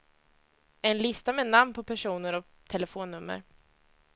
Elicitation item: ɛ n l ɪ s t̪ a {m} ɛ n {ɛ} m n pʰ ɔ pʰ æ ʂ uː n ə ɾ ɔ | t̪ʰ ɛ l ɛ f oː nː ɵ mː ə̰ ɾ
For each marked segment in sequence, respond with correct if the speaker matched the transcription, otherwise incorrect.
correct, incorrect: a

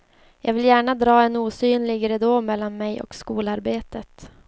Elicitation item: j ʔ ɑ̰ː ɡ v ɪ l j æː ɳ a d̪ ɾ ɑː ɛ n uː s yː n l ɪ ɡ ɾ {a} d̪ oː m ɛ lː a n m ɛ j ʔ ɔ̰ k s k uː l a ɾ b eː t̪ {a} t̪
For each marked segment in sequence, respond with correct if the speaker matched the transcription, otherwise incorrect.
incorrect: ɛ, incorrect: ə

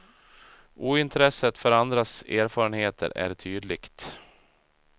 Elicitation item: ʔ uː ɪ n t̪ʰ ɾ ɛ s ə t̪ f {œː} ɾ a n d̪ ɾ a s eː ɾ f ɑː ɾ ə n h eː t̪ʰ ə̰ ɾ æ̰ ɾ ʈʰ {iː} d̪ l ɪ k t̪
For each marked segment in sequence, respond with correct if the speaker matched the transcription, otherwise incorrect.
incorrect: œ, incorrect: yː

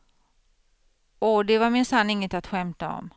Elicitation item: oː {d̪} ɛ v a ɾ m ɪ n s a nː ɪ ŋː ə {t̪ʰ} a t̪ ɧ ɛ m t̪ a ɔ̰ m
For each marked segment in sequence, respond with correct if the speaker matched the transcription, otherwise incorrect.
correct, incorrect: t̪

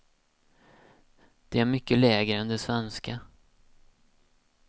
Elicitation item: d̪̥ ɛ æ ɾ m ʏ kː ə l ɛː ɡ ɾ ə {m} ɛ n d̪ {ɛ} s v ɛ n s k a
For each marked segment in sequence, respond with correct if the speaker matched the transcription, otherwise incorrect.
incorrect: none, correct

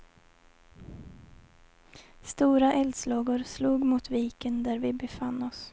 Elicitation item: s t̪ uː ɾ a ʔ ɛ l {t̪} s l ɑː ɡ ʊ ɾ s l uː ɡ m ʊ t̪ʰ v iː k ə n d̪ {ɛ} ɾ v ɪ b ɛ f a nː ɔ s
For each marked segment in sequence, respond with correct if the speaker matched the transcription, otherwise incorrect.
incorrect: d̪, incorrect: æ

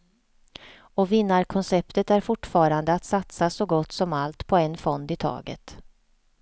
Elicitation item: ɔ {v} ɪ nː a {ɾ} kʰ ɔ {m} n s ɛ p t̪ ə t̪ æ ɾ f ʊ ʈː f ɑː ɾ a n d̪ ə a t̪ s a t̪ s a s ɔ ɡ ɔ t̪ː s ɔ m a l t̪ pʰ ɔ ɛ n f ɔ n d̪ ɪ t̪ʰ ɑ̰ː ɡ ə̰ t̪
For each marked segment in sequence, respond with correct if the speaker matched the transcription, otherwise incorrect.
correct, correct, incorrect: none

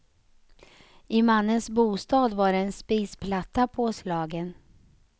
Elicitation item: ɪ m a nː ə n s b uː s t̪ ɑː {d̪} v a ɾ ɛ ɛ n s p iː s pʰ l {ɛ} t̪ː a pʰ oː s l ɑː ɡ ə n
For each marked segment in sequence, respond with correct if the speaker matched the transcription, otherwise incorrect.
correct, incorrect: a

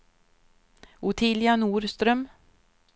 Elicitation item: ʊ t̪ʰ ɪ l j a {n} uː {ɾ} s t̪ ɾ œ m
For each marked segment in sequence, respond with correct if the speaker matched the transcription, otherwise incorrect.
correct, correct

